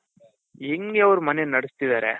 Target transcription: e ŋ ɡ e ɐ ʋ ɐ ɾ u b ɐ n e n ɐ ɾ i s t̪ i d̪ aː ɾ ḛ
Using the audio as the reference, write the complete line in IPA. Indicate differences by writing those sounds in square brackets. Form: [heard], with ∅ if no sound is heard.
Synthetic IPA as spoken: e ŋ ɡ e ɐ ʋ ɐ ɾ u [m] ɐ n e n ɐ [ɽ] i s t̪ i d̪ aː ɾ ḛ